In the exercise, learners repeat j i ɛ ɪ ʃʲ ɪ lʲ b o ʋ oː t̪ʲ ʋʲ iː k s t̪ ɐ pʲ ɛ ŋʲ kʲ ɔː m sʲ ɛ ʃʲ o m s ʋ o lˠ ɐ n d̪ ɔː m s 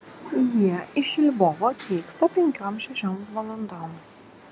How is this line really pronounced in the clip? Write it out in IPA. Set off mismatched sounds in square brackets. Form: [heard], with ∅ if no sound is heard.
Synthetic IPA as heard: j i ɛ ɪ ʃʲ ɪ lʲ b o ʋ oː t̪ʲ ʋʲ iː k s t̪ ɐ pʲ ɛ ŋʲ kʲ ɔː m [ʃʲ] ɛ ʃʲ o m s ʋ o lˠ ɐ n d̪ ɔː m s